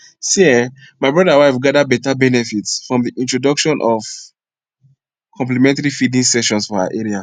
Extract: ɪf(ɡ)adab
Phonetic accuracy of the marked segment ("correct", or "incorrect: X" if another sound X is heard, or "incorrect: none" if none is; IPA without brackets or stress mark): correct